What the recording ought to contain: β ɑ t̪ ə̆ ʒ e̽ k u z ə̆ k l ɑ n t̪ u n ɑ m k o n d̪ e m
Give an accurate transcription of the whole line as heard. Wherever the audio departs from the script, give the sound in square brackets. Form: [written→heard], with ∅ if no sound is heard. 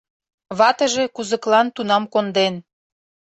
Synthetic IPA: β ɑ t̪ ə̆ ʒ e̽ k u z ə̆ k l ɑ n t̪ u n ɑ m k o n d̪ e [m→n]